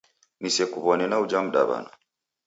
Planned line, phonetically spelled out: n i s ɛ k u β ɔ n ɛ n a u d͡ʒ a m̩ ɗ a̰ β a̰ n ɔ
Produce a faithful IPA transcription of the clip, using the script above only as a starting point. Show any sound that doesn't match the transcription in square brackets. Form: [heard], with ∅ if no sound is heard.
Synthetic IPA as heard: n i s ɛ k u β ɔ n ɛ n a u d͡ʒ a m̩ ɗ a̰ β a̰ n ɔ